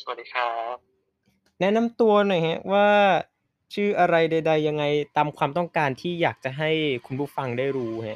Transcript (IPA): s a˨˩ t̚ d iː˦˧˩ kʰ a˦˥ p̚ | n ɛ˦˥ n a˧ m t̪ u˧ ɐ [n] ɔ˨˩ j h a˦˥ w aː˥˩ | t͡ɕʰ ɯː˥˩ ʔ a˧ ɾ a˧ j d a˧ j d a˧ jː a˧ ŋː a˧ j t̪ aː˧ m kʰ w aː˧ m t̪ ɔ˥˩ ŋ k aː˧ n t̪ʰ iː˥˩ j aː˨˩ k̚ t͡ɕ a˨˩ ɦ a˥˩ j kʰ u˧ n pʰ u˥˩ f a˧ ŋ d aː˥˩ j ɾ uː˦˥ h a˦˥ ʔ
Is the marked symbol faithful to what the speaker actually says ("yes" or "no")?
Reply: yes